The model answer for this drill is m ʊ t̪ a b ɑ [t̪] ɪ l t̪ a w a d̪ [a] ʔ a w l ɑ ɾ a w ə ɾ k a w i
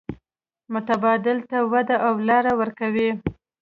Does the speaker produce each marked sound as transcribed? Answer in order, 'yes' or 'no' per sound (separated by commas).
no, yes